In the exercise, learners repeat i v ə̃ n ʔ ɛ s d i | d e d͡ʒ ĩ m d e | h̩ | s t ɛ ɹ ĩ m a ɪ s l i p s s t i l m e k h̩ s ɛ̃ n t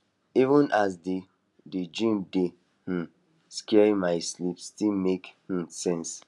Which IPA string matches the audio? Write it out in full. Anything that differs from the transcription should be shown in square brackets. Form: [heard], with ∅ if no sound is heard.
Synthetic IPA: i v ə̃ n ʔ [a] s d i | d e d͡ʒ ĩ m d e | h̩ | s [k] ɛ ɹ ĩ m a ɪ s l i p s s t i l m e k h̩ s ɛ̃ n [s]